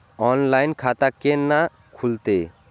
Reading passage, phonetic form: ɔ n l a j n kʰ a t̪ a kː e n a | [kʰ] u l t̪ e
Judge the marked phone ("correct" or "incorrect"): correct